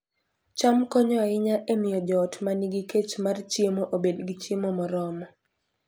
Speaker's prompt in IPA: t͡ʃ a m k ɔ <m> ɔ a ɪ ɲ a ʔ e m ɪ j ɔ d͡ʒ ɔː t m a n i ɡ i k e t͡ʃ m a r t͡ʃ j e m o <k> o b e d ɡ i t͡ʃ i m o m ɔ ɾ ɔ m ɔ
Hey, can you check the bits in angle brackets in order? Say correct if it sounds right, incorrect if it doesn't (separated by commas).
incorrect, incorrect